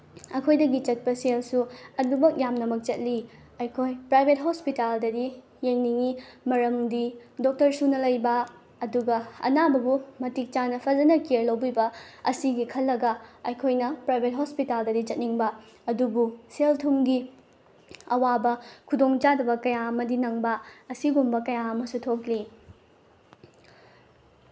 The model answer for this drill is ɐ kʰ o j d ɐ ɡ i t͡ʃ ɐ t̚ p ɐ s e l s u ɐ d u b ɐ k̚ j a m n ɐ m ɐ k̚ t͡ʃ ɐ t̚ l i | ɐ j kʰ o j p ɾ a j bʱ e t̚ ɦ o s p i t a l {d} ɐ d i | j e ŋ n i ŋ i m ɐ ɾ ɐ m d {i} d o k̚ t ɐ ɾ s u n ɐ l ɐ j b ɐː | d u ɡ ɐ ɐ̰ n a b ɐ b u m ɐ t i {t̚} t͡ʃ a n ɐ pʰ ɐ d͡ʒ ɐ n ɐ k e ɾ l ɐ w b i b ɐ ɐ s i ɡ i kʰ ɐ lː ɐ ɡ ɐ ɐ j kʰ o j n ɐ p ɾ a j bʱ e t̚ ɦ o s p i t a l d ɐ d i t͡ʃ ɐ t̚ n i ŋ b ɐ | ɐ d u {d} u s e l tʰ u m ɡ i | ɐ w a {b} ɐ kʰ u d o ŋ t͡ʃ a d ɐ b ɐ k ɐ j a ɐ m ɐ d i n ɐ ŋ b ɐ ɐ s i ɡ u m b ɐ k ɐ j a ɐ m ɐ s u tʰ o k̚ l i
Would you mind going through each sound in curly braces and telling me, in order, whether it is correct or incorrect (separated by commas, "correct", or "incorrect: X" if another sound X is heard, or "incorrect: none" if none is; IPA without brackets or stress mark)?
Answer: correct, correct, incorrect: k̚, incorrect: b, correct